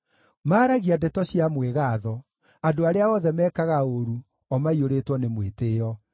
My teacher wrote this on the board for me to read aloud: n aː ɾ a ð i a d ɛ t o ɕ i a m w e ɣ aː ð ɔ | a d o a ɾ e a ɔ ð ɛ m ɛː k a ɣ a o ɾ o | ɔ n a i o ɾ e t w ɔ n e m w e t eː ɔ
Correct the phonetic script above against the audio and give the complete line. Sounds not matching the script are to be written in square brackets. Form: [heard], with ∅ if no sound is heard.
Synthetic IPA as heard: [m] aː ɾ a [ɣ] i a d ɛ t [ɔ] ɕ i a m w e ɣ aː ð ɔ | a d o a ɾ e a ɔ ð ɛ m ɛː k a ɣ a o ɾ [u] | ɔ [m] a i o ɾ e t w ɔ n e m w e t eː ɔ